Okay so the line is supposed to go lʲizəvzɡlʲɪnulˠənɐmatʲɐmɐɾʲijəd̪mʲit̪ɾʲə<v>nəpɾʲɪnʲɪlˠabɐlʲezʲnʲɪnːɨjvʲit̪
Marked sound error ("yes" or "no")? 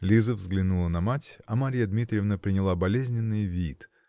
no